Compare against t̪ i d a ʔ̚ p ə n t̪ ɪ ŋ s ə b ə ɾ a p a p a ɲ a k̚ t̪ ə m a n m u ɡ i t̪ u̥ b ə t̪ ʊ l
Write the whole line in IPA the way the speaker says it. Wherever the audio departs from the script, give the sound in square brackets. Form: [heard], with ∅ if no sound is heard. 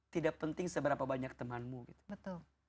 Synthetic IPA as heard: t̪ i d a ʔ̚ p ə n t̪ ɪ ŋ s ə b ə ɾ a p a [b] a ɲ a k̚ t̪ ə m a n m u ɡ i t̪ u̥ b ə t̪ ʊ l